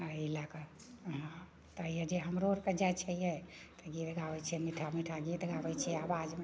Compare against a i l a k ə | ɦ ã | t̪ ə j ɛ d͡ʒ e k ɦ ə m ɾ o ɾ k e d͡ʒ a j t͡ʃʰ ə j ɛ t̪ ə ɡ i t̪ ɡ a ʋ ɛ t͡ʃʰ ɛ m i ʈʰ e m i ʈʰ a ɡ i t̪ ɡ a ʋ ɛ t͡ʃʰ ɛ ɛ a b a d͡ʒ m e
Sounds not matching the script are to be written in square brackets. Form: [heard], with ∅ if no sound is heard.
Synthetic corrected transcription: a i l a k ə | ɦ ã | t̪ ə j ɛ d͡ʒ e [∅] ɦ ə m ɾ o ɾ k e d͡ʒ a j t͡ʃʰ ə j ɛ t̪ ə ɡ i t̪ ɡ a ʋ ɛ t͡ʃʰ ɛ m i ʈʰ [a] m i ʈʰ a ɡ i t̪ ɡ a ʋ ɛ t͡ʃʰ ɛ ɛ a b a d͡ʒ m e